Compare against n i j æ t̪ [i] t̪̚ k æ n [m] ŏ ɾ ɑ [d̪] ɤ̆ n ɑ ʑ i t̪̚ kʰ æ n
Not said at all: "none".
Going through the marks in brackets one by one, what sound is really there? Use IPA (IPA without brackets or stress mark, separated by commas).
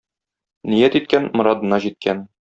i, m, d̪